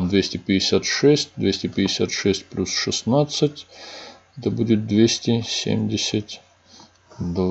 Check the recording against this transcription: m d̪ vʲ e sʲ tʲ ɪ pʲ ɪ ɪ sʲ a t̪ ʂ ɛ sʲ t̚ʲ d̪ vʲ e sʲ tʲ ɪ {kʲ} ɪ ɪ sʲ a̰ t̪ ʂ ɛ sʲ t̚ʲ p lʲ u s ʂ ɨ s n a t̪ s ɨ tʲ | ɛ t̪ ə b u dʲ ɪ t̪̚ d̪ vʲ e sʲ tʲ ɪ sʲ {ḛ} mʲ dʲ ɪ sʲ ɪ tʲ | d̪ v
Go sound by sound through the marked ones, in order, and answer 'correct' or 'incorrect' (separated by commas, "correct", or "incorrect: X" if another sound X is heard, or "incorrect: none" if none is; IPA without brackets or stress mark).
incorrect: pʲ, correct